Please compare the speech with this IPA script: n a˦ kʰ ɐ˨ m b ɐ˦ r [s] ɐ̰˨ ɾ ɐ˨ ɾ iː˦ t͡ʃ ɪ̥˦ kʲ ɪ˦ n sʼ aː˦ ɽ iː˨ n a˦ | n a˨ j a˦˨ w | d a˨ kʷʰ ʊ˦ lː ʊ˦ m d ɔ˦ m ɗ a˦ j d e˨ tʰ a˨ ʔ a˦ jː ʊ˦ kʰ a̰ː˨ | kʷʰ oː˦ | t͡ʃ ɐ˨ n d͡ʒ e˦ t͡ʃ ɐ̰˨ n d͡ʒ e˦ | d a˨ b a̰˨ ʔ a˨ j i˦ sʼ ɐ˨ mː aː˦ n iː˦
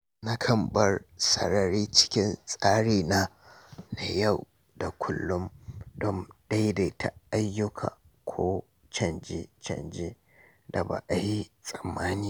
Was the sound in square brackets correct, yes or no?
yes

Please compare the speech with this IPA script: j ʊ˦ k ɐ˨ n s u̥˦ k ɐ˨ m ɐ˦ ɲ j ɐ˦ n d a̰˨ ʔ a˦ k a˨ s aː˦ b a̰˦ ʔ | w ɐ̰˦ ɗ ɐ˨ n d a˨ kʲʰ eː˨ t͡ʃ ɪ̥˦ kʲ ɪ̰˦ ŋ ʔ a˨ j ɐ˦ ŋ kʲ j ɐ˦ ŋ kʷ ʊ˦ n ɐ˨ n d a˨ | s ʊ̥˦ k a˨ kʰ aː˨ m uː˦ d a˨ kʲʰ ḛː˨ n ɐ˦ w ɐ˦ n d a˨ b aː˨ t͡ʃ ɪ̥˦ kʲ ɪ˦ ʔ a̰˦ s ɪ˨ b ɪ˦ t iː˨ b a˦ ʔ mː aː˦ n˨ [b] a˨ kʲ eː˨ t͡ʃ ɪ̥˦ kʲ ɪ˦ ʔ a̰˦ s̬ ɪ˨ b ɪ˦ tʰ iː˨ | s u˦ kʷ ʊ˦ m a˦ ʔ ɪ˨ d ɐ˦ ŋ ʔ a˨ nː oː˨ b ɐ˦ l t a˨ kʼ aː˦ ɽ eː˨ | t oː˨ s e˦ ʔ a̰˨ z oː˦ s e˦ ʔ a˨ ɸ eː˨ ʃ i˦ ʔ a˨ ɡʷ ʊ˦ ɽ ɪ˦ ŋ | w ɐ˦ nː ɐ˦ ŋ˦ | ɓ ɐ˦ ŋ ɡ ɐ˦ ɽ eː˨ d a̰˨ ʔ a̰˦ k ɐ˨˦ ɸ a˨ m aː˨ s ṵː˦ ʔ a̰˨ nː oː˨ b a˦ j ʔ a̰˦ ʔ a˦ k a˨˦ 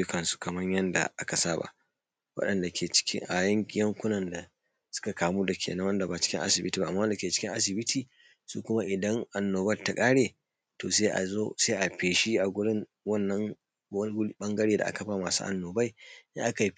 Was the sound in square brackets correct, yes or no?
no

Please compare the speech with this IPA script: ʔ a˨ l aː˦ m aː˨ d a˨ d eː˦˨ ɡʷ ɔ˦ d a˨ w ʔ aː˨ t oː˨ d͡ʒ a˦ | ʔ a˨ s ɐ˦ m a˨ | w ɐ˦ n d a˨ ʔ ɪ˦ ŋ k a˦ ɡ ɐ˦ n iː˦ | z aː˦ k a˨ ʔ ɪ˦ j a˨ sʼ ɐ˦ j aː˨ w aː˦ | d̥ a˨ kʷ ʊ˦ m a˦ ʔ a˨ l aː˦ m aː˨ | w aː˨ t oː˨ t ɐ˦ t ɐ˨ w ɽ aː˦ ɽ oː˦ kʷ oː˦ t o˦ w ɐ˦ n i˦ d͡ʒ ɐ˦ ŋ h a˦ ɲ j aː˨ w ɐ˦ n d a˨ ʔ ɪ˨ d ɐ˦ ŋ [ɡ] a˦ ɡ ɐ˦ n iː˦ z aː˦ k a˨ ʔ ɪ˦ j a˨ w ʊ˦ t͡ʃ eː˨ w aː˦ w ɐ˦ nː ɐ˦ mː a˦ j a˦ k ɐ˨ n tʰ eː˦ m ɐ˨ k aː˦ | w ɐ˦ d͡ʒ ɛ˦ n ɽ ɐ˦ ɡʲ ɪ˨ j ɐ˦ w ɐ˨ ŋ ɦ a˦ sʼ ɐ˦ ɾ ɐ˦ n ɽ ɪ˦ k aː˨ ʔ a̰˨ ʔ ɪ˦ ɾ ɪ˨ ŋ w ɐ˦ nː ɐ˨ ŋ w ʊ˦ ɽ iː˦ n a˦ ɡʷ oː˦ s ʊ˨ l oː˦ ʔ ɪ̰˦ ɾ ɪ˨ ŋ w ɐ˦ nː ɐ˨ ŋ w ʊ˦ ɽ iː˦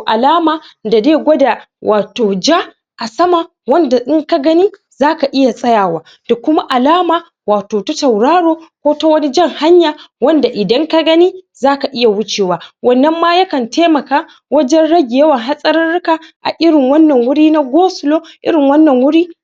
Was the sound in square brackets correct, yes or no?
no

